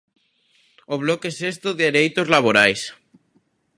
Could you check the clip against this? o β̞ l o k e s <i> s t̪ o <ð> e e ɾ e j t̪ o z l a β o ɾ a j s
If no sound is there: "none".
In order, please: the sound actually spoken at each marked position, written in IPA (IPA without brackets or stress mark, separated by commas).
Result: e, ð